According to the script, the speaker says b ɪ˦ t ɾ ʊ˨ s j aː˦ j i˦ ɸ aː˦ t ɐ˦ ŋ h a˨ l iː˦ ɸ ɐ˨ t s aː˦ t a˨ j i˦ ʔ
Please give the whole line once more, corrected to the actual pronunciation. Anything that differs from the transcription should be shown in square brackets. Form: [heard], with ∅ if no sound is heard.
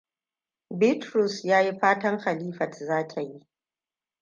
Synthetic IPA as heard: b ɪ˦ t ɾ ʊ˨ s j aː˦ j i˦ ɸ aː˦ t ɐ˦ ŋ [x] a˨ l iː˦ ɸ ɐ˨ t [z] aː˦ [tʰ] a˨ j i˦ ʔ